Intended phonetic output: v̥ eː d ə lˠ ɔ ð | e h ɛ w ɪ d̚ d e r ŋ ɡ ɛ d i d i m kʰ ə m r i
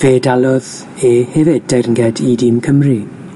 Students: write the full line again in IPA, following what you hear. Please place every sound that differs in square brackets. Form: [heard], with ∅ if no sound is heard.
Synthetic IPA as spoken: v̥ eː d [a] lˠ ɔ ð | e h ɛ [v] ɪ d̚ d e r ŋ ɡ ɛ d i d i m kʰ ə m r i